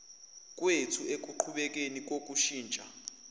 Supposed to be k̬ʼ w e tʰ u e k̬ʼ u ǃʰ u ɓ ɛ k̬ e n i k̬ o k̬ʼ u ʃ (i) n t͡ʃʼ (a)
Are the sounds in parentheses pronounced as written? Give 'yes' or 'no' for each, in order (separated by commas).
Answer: no, yes